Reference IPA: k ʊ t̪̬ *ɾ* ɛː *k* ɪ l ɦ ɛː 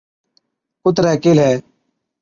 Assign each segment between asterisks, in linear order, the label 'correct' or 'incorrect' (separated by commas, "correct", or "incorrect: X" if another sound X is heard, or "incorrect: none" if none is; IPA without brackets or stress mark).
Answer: correct, correct